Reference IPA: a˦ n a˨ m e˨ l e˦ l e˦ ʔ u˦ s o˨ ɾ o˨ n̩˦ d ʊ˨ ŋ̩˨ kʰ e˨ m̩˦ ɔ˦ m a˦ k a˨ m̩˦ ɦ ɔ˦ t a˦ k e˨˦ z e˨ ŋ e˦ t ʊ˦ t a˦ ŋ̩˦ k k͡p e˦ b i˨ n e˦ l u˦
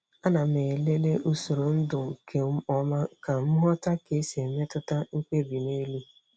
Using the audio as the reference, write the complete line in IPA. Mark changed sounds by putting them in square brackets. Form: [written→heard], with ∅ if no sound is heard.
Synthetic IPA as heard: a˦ n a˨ m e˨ l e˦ l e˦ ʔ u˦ s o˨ ɾ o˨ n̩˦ d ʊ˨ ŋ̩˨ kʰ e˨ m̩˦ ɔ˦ m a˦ k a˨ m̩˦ ɦ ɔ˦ t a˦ k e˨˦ [z→s] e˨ [ŋ→m] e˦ t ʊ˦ t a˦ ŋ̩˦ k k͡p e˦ b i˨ n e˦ l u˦